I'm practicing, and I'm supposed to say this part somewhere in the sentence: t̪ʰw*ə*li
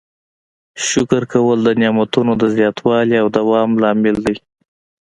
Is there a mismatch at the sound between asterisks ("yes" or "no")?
yes